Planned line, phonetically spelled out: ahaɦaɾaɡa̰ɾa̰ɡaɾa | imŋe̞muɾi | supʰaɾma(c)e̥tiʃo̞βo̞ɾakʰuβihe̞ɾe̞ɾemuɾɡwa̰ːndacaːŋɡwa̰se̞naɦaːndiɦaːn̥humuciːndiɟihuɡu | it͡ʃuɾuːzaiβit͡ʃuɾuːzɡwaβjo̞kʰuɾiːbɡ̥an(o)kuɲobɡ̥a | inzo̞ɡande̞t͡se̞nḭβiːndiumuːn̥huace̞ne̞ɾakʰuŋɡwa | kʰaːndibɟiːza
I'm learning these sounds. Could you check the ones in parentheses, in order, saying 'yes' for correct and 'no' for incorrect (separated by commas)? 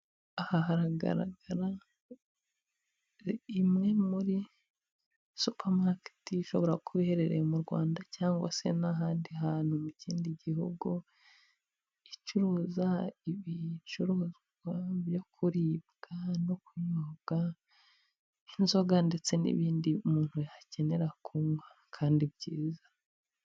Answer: no, yes